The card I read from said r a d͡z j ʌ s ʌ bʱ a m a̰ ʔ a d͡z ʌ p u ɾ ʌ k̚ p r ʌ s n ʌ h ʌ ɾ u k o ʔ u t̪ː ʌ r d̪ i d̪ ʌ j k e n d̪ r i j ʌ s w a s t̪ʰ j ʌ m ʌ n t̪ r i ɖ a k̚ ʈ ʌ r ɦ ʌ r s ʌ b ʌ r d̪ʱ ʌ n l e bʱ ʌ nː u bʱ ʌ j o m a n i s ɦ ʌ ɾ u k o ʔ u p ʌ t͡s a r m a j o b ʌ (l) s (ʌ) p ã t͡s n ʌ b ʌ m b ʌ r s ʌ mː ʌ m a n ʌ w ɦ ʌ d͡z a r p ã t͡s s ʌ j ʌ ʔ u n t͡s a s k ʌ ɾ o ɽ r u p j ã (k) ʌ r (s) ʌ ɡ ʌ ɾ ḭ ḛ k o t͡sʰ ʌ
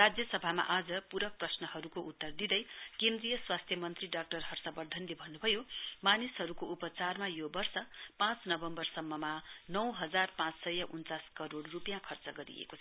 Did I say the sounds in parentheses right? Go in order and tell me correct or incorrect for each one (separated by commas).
incorrect, correct, incorrect, incorrect